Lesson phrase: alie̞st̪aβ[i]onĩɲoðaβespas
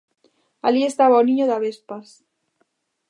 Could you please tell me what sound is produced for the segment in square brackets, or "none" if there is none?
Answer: a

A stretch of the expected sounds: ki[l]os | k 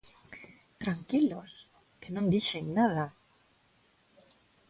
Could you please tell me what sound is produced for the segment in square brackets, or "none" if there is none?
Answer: l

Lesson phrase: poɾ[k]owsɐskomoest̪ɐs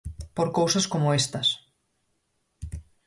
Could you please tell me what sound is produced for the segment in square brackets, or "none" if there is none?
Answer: k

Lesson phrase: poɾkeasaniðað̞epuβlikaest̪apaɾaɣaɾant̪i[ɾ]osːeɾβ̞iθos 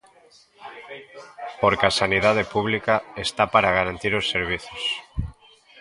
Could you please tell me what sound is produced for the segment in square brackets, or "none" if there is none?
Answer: ɾ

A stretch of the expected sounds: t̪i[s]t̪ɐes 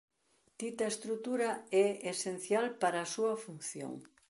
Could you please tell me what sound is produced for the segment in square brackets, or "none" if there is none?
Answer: none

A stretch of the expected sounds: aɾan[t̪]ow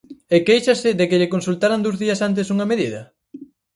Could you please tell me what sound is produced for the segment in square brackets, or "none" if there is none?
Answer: d̪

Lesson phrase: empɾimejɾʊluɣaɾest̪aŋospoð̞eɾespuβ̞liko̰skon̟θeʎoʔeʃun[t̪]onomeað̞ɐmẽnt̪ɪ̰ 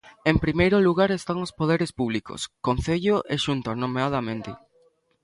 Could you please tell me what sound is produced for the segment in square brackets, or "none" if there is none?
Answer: t̪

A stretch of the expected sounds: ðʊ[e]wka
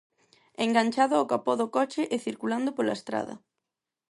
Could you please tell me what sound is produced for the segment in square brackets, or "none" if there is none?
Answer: a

